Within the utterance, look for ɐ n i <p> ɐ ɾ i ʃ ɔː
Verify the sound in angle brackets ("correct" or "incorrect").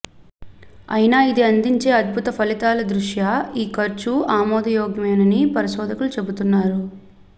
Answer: correct